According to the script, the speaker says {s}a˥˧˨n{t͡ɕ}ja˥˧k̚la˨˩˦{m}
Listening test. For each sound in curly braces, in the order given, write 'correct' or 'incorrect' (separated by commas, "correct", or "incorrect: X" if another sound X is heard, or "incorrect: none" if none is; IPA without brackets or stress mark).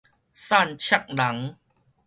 correct, incorrect: t͡ɕʰ, incorrect: ŋ